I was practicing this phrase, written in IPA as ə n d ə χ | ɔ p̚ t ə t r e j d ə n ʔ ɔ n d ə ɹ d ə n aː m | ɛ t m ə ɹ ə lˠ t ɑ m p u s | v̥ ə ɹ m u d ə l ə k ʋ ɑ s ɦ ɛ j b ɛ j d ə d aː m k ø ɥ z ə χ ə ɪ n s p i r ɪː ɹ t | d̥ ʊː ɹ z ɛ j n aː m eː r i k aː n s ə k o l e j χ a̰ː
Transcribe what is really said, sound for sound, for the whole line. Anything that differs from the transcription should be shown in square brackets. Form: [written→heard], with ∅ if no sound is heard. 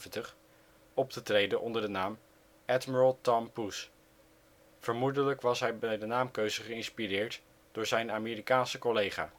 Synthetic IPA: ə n [d→t] ə χ | ɔ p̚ t ə t r e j d ə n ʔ ɔ n d ə ɹ d ə n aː m | ɛ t m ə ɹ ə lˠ t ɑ m p u s | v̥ ə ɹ m u d ə l ə k ʋ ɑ s ɦ ɛ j b ɛ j d ə [d→n] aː m k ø ɥ z ə χ ə ɪ n s p i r ɪː ɹ t | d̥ ʊː ɹ z ɛ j n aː m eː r i k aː n s ə k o l e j χ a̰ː